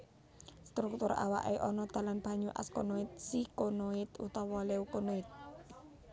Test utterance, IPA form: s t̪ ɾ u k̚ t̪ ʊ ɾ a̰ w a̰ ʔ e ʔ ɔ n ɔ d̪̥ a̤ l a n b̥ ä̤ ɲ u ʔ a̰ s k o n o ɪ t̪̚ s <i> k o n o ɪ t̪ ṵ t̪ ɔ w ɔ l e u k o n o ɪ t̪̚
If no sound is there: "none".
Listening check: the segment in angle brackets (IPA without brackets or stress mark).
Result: i